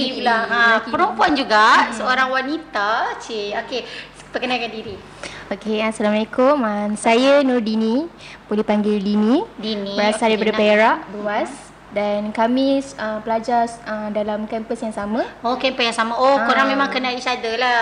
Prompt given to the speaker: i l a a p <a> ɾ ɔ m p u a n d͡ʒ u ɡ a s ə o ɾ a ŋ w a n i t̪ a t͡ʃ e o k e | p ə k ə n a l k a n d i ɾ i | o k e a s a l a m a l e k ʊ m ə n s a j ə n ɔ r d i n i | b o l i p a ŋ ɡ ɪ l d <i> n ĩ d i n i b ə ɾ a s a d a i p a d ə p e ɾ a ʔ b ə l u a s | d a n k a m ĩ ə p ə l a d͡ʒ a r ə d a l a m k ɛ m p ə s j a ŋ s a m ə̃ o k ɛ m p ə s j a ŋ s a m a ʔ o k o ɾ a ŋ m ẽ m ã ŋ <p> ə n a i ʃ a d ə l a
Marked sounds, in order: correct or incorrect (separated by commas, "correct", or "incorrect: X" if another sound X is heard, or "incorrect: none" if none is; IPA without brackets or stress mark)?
incorrect: ə, correct, incorrect: k